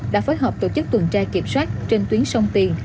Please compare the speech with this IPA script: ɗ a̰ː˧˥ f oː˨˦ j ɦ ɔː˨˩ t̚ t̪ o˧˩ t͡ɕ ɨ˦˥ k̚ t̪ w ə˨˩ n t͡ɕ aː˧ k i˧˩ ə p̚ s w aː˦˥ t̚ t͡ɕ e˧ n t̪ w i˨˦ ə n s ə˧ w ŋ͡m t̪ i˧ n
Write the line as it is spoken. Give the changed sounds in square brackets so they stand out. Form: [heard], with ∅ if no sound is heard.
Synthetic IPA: ɗ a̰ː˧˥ f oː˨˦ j ɦ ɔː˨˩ [p̚] t̪ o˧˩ t͡ɕ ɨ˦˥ k̚ t̪ w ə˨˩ n t͡ɕ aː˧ k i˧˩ ə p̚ s w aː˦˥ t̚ t͡ɕ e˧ n t̪ w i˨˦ ə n s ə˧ w ŋ͡m t̪ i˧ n